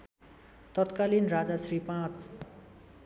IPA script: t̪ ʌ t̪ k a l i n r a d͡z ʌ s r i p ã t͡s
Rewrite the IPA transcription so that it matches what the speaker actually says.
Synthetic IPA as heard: t̪ ʌ t̪ k a l i n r a d͡z a s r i p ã t͡s